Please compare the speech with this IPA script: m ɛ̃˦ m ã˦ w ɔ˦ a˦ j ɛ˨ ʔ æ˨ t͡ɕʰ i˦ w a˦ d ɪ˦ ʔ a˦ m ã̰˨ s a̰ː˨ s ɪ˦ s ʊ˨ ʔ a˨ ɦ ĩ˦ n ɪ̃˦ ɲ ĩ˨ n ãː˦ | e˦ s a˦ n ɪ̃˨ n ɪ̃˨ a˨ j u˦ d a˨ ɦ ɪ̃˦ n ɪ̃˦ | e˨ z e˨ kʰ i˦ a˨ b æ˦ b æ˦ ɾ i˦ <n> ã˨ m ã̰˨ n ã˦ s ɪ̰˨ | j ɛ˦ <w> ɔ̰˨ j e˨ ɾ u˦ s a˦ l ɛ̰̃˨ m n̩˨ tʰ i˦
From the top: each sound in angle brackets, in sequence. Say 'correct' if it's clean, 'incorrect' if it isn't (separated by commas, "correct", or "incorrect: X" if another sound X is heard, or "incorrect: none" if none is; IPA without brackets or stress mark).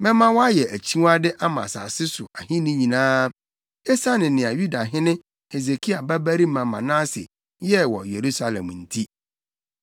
incorrect: m, correct